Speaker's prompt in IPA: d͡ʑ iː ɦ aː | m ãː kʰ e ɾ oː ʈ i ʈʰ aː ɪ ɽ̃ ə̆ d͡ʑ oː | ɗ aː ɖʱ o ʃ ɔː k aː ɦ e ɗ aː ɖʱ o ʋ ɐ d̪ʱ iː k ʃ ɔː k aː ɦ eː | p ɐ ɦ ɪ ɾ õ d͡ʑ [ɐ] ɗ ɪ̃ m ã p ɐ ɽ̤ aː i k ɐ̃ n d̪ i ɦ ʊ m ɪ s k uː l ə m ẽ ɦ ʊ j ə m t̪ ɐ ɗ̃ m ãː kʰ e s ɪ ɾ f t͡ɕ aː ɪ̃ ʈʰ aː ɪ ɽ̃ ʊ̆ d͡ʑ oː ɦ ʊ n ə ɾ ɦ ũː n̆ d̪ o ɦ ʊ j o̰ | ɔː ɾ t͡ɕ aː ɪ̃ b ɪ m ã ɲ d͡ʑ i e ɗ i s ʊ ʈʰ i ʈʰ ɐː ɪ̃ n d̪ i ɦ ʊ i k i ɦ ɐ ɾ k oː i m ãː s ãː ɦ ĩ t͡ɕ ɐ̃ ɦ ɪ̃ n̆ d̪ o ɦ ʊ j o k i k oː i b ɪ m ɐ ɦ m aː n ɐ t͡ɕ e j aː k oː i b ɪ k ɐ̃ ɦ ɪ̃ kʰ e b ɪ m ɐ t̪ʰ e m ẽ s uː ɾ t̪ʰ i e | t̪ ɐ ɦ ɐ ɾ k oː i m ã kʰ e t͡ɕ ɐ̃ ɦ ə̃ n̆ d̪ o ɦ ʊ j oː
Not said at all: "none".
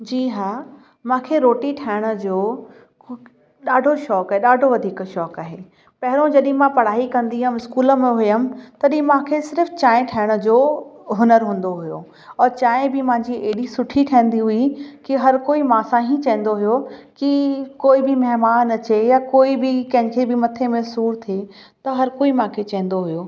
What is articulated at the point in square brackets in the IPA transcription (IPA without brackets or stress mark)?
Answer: ɐ